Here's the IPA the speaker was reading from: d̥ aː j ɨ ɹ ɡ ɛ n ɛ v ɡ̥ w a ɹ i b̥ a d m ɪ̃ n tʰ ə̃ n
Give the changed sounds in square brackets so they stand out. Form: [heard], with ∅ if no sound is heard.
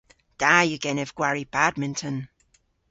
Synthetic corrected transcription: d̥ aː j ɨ [∅] ɡ ɛ n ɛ v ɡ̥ w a ɹ i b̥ a d m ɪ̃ n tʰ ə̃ n